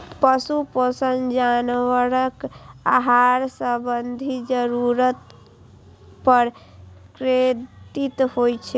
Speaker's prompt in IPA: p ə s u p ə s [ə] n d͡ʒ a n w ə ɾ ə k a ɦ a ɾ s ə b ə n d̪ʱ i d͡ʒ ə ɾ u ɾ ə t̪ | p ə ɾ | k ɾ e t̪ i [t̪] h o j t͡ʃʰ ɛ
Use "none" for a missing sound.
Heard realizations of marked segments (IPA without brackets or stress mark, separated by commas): ə, t̪